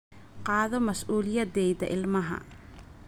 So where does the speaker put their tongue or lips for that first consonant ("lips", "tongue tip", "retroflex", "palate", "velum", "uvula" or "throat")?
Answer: uvula